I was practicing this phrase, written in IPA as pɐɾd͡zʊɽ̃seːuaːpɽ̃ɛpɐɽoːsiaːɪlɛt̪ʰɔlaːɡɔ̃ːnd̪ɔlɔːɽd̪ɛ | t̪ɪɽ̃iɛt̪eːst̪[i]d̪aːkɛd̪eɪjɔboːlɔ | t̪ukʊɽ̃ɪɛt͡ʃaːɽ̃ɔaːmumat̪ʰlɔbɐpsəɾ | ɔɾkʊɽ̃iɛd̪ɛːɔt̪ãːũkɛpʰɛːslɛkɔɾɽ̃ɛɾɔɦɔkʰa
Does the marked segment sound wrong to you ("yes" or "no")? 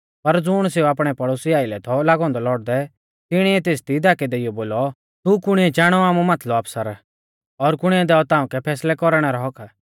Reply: no